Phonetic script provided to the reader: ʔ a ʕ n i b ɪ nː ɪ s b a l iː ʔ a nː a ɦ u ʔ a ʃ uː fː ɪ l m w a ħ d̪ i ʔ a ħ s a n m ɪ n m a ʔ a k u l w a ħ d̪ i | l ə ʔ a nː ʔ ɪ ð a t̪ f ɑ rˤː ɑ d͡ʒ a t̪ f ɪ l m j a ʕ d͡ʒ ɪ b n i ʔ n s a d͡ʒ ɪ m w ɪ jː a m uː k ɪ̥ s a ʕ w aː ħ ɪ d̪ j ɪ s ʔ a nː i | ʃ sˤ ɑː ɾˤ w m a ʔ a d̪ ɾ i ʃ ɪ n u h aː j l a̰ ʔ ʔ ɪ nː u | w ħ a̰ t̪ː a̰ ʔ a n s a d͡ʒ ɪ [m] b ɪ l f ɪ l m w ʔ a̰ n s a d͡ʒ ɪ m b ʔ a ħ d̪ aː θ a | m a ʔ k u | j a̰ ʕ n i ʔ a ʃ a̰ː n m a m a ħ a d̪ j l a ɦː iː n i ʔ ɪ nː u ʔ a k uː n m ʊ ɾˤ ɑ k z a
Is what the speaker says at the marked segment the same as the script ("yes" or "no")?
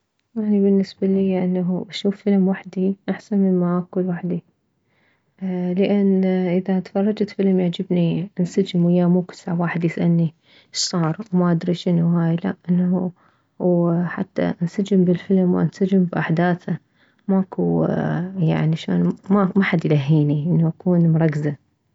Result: yes